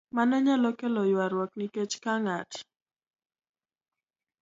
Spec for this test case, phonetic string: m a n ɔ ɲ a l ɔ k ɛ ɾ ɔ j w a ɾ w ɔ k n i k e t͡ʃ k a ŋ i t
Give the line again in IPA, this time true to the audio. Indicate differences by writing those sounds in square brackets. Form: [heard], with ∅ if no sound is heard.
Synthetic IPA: m a n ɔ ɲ a l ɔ k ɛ [l] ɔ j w a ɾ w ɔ k n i k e t͡ʃ k a ŋ [a] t